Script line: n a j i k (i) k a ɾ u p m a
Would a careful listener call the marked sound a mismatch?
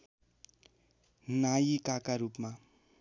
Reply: yes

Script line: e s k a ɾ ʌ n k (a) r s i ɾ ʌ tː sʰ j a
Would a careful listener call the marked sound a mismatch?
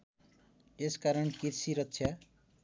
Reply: yes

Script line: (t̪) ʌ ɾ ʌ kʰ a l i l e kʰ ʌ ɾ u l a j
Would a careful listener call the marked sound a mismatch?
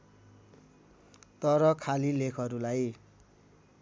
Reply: no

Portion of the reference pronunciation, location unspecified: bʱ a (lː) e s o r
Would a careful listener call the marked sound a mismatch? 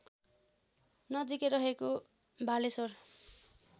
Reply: yes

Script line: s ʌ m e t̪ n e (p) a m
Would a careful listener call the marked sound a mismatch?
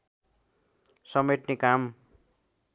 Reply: yes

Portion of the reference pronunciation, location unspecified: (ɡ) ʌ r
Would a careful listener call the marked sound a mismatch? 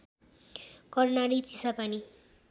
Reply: yes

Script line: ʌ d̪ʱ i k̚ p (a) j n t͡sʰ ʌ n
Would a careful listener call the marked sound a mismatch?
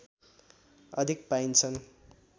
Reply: no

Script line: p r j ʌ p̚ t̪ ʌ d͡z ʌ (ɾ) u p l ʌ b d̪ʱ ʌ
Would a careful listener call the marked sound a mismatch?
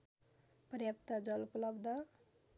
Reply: yes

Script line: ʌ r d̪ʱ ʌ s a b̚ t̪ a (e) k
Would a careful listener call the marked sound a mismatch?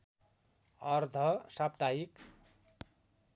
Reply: yes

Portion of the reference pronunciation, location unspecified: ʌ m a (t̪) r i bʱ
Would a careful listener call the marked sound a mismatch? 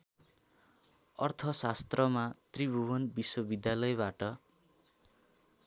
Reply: no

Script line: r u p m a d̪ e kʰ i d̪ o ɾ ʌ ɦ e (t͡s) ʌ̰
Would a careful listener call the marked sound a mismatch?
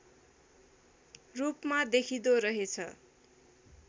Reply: yes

